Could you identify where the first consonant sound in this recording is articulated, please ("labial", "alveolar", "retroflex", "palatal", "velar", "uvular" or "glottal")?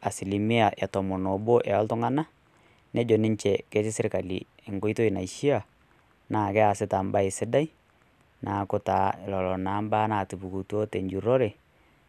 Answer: alveolar